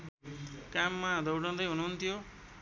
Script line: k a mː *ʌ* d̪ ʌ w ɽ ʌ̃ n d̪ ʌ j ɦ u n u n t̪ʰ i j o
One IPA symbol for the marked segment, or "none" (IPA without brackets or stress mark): a